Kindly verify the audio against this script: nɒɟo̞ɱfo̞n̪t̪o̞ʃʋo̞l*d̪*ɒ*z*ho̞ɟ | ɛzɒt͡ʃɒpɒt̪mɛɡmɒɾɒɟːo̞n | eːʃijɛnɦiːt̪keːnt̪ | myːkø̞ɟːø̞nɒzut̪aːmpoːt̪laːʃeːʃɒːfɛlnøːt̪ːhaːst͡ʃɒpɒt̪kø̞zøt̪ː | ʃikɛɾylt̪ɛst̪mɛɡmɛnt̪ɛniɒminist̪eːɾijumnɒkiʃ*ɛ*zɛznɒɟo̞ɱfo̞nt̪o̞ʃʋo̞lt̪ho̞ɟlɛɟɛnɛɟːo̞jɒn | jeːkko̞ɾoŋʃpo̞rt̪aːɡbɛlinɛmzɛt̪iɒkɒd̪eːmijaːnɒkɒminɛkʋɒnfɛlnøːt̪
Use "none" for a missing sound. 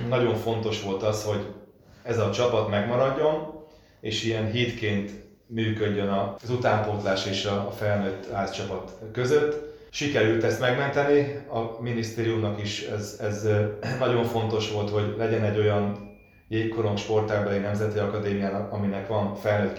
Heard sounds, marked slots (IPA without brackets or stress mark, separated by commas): t̪, s, ɛ